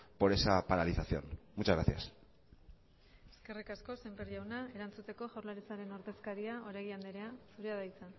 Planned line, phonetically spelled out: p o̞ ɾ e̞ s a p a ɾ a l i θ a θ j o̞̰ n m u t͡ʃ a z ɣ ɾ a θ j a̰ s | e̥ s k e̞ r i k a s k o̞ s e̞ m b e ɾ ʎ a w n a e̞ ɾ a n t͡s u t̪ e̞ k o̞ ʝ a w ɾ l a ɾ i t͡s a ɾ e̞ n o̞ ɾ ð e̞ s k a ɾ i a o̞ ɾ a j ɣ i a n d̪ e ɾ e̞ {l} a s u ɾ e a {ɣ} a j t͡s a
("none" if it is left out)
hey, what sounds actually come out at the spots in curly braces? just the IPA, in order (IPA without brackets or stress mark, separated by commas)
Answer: none, ð